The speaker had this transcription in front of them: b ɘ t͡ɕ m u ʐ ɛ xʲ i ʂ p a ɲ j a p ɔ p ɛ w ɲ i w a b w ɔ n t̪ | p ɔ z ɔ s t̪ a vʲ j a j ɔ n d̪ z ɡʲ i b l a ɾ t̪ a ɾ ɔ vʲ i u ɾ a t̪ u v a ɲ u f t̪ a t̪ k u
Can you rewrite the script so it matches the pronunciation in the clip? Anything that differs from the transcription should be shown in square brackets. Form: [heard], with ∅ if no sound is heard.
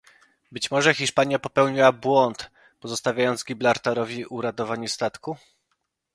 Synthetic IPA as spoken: b ɘ t͡ɕ m [ɔ] ʐ ɛ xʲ i ʂ p a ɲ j a p ɔ p ɛ w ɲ i w a b w ɔ n t̪ | p ɔ z ɔ s t̪ a vʲ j a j ɔ n d̪ z ɡʲ i b l a ɾ t̪ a ɾ ɔ vʲ i u ɾ a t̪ [ɔ] v a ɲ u [s] t̪ a t̪ k u